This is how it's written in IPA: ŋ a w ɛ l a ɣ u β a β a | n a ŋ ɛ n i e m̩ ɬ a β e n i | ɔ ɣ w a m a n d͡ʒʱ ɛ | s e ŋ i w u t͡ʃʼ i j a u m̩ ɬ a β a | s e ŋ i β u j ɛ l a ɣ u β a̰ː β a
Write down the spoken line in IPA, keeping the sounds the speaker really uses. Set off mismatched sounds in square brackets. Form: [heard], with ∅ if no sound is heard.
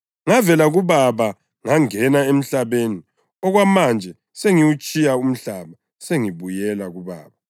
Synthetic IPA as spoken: ŋ a [v] ɛ l a ɣ u β a β a | [ŋ] a ŋ ɛ n [a] e m̩ ɬ a β e n i | ɔ ɣ w a m a n d͡ʒʱ ɛ | s e ŋ i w u t͡ʃʼ i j a u m̩ ɬ a β a | s e ŋ i β u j ɛ l a ɣ u β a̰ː β a